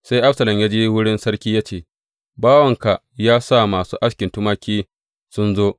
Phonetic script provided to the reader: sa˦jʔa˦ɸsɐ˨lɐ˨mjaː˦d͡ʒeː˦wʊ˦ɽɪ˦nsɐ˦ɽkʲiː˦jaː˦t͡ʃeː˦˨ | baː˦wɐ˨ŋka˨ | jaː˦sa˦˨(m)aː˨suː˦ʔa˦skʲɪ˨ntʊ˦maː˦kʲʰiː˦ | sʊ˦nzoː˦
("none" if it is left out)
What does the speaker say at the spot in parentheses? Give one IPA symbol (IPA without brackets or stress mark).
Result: m